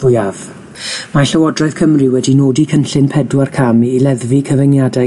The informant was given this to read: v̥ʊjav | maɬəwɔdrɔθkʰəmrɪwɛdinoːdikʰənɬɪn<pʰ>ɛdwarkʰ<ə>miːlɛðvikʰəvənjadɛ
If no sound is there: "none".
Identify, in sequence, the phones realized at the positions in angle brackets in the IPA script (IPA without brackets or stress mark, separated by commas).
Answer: pʰ, a